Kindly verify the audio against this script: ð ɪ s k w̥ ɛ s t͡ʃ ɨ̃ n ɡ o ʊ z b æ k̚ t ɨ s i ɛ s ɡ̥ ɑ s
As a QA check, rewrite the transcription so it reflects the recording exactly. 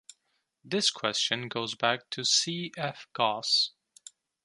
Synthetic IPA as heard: ð ɪ s kʰ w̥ ɛ s t͡ʃ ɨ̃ n ɡ o ʊ z b æ k̚ tʰ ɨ s i ɛ f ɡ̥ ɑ s